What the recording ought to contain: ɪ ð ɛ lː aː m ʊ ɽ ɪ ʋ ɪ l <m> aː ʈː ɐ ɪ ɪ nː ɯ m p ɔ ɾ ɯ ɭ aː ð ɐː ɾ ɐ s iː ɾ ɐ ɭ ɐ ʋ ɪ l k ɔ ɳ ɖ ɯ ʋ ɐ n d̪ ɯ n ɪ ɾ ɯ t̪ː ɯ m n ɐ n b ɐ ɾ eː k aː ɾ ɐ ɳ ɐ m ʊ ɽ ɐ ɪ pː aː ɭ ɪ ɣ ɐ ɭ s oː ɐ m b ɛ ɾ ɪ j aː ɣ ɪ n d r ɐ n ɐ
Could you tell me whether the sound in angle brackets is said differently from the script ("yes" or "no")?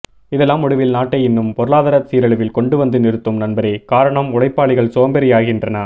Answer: yes